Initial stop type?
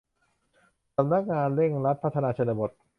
plain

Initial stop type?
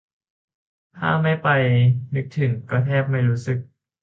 aspirated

